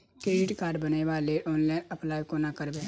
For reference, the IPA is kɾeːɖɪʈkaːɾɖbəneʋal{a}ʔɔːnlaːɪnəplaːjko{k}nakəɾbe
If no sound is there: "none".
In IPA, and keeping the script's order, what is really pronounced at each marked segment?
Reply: e, none

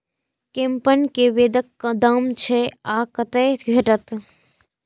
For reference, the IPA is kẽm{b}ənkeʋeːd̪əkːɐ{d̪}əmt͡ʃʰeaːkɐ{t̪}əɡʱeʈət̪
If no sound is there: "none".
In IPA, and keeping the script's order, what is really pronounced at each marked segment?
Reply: p, d̪, t̪

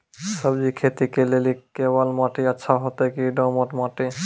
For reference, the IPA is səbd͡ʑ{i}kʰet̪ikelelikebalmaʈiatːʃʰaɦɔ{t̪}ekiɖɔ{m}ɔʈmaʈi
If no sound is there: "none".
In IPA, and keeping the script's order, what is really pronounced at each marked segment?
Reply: i, t̪, m

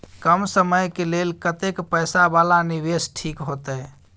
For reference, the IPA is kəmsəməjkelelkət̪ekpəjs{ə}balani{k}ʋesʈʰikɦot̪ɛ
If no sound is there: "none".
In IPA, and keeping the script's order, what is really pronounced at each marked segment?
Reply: a, none

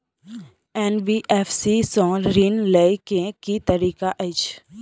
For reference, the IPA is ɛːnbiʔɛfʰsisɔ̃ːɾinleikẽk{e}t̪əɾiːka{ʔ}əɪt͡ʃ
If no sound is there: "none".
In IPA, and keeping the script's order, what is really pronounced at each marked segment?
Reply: i, ʔ

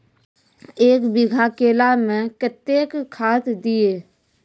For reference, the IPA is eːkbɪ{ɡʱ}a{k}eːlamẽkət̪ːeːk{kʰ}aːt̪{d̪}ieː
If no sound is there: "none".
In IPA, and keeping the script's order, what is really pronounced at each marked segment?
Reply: ɡʱ, k, kʰ, d̪

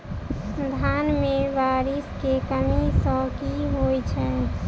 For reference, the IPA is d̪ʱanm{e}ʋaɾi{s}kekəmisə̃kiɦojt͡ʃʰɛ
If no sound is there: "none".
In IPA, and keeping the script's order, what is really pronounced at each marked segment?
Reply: e, s

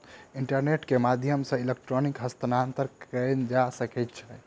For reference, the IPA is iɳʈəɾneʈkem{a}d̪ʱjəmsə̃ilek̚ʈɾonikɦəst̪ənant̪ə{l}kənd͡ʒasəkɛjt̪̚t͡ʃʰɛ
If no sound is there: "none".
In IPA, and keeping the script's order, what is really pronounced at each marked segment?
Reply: a, ɾ

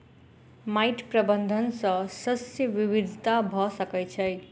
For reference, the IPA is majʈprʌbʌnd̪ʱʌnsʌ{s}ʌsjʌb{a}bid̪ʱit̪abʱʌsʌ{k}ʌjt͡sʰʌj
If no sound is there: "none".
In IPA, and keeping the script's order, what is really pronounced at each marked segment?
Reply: s, i, k

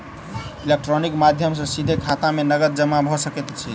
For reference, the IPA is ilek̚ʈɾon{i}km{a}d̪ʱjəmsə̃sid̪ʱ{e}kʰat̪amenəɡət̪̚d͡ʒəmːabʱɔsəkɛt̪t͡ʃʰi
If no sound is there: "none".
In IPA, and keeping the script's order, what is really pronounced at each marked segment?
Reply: i, a, e

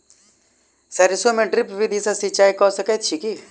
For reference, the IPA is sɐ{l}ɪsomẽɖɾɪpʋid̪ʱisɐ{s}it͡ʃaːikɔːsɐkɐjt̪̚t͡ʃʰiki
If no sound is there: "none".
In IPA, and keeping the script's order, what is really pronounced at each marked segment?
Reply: ɾ, s

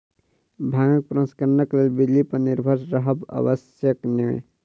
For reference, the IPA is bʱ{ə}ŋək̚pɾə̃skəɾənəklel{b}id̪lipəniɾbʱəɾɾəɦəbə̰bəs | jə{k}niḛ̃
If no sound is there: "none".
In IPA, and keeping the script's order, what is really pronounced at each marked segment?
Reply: a, b, k

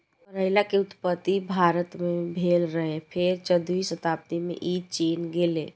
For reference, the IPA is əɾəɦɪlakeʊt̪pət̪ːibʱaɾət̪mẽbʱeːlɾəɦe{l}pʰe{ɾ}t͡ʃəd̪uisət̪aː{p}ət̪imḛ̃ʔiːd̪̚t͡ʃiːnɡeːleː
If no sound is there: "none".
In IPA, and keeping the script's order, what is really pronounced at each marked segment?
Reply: none, ɾ, p

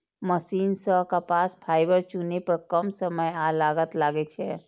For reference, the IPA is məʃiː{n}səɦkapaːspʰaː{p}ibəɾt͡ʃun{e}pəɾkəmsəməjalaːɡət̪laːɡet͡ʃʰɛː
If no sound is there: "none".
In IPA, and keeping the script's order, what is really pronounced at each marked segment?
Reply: n, none, e

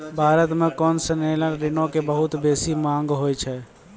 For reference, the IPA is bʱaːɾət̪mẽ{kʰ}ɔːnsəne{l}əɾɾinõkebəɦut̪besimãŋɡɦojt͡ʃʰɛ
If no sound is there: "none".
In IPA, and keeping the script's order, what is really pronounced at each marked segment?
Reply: k, l

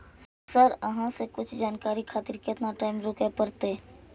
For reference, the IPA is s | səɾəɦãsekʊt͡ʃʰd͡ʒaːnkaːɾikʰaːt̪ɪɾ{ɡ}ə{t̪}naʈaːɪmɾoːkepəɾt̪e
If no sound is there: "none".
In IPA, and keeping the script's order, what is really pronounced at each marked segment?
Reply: k, t̪

